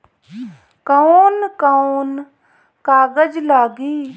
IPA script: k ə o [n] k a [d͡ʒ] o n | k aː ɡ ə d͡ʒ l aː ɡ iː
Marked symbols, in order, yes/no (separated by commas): yes, no